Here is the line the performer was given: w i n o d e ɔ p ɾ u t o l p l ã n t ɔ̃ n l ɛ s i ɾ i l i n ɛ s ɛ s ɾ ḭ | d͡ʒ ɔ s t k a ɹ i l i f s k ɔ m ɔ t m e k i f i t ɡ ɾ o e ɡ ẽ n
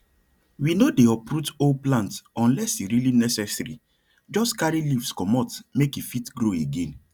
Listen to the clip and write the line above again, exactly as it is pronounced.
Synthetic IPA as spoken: w i n o d e ɔ p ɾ u t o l p l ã n t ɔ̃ n l ɛ s i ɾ i l i n ɛ s ɛ s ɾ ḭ | d͡ʒ ɔ s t k a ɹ i l i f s k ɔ m ɔ t m e k i f i t ɡ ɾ o e ɡ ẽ n